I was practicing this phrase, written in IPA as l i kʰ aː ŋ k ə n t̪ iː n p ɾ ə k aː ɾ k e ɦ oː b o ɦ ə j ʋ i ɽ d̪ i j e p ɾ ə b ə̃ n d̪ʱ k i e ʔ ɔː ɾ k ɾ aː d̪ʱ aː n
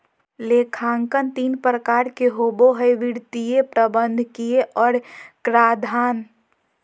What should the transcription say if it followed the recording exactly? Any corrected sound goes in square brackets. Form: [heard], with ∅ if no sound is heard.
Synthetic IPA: l [e] kʰ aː ŋ k ə n t̪ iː n p ɾ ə k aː ɾ k e ɦ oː b o ɦ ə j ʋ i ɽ [t̪] i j e p ɾ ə b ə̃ n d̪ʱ k i e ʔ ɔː ɾ k ɾ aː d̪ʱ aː n